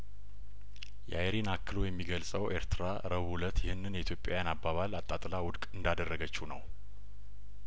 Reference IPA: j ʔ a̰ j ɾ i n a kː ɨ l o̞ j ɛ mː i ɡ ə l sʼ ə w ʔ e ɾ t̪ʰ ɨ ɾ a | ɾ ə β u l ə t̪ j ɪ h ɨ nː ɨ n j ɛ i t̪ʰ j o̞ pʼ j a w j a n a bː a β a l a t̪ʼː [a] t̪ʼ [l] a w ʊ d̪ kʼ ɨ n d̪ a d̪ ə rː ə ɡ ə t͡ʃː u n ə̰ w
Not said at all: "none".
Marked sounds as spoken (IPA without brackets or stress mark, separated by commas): a, l